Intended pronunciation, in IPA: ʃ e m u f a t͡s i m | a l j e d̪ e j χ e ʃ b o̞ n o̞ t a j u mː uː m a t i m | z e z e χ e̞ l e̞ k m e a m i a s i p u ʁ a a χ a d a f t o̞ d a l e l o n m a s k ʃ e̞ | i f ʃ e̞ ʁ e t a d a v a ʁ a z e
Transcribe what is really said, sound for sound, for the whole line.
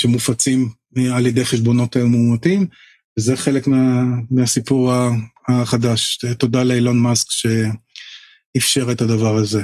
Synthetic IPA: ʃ e m u f a t͡s i m | a l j e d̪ e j χ e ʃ b o̞ n o̞ t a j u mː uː m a t i m | v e z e χ e̞ l e̞ k m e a m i a s i p u ʁ a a χ a d a ʃ t o̞ d a l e l o n m a s k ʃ e̞ | i f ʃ e̞ ʁ e t a d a v a ʁ a z e